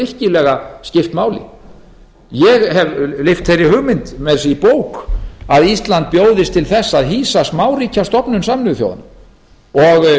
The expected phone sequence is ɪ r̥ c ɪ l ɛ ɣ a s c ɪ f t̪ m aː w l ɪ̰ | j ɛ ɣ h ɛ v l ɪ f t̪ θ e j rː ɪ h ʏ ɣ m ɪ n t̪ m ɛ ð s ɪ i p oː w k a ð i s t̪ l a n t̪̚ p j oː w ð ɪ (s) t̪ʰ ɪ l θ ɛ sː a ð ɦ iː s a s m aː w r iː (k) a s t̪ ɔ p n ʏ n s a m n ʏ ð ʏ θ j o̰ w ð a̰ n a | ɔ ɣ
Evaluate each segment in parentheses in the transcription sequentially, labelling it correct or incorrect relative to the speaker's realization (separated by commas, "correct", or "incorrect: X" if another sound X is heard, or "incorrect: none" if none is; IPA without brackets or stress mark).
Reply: correct, incorrect: c